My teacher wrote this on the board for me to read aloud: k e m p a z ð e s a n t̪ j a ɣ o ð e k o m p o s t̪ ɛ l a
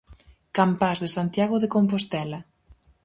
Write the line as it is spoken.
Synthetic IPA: k a m p a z ð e s a n t̪ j a ɣ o ð e k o m p o s t̪ ɛ l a